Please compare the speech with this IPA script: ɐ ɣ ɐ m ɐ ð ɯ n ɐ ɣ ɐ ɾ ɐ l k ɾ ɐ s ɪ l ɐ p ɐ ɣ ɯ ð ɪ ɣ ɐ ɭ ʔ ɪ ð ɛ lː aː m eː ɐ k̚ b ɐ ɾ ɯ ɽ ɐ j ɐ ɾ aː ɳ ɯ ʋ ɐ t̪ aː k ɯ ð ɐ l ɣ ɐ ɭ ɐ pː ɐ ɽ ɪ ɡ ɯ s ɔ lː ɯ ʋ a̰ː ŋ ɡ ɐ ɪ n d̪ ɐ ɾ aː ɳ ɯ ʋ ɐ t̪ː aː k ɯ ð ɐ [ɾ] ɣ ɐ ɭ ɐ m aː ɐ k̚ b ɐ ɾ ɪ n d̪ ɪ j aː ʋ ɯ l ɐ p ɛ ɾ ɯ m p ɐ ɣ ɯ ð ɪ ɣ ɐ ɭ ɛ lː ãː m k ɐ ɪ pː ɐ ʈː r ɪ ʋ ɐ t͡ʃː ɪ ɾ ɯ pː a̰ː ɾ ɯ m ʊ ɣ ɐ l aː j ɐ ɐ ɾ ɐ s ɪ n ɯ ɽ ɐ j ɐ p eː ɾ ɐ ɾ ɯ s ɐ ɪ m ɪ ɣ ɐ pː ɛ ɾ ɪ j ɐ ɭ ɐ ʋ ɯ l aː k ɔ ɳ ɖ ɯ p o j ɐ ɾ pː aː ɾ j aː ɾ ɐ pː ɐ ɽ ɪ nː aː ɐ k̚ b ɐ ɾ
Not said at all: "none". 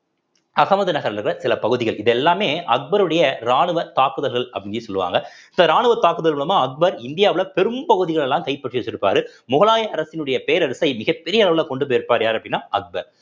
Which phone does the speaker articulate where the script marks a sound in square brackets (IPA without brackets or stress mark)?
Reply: l